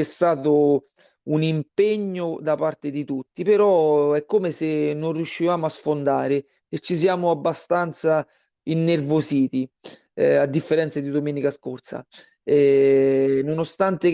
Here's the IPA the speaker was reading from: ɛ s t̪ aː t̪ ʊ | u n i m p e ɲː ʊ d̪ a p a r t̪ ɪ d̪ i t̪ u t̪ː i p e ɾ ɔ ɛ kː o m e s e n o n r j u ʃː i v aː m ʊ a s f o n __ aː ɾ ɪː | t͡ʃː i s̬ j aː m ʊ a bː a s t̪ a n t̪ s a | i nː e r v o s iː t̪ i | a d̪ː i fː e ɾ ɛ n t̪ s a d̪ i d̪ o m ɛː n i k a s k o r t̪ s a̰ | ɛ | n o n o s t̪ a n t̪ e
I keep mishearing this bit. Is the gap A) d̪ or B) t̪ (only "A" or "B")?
A